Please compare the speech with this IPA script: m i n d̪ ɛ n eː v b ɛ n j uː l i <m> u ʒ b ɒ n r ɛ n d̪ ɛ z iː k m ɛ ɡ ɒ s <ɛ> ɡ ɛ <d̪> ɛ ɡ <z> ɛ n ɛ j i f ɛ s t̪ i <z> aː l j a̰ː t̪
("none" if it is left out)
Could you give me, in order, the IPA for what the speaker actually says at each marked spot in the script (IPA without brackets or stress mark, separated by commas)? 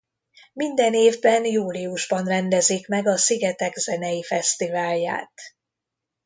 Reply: none, i, t̪, z, v